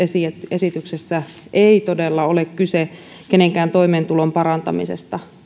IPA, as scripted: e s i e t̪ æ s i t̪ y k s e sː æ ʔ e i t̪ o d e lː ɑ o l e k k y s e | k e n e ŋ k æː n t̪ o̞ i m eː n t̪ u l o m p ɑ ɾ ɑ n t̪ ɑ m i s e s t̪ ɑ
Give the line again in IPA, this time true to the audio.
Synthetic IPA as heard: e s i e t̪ e s i t̪ y k s e sː æ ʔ e i t̪ o d e lː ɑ o l e k k y s e | k e n e ŋ k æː n t̪ o̞ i m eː n t̪ u l o m p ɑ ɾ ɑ n t̪ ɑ m i s e s t̪ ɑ